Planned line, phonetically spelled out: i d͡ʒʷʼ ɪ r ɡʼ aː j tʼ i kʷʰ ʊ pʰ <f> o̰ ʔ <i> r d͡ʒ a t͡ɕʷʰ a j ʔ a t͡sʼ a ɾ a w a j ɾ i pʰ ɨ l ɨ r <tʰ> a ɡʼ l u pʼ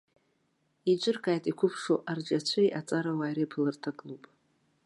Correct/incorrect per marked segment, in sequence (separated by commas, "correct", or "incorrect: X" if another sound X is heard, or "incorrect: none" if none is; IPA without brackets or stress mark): incorrect: ʂ, incorrect: a, correct